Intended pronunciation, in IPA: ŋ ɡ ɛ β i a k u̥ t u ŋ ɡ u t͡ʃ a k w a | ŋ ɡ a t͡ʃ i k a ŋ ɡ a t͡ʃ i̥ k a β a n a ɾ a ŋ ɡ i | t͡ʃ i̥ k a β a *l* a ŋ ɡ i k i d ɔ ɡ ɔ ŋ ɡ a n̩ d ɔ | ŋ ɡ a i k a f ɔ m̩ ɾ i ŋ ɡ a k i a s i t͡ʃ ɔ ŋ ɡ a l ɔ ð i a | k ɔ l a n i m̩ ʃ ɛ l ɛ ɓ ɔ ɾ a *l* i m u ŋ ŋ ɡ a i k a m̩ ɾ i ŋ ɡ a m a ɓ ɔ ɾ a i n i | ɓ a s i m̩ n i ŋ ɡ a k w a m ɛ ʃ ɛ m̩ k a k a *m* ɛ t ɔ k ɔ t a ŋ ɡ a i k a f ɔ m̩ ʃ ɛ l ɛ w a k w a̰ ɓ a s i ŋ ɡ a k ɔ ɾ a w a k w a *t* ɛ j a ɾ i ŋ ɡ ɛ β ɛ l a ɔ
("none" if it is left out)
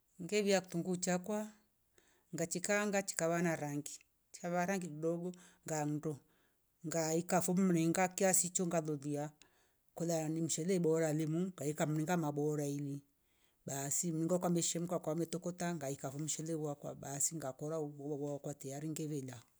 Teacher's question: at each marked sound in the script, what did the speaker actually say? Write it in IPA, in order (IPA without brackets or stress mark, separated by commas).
ɾ, l, m, t